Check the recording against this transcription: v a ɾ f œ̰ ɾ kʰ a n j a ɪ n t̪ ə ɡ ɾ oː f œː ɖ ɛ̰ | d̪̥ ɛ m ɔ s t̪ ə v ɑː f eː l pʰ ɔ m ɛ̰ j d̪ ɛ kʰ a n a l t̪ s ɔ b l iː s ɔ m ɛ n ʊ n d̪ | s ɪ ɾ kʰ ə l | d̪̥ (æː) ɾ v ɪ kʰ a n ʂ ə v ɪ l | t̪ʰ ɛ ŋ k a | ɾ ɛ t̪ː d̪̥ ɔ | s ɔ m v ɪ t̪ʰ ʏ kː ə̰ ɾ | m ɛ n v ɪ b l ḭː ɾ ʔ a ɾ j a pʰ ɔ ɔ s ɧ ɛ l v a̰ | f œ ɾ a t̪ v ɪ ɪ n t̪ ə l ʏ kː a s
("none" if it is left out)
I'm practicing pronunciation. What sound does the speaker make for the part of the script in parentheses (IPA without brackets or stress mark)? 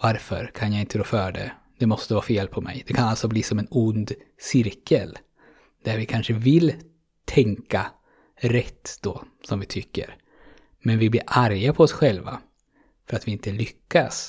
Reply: æ